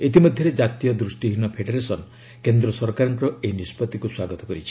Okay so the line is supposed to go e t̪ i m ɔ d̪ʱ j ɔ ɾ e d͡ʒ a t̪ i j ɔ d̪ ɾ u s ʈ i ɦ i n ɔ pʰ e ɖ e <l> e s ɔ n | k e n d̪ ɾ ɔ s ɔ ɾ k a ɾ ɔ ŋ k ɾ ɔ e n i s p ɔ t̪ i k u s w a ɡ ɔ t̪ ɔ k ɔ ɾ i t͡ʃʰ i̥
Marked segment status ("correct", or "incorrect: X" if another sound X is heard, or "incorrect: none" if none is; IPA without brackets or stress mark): incorrect: ɾ